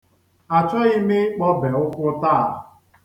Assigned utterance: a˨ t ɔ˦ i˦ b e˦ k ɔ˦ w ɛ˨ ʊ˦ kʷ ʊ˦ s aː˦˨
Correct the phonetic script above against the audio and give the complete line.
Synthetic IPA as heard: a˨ t͡ʃ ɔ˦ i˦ m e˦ k͡p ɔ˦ b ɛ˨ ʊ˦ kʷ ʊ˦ t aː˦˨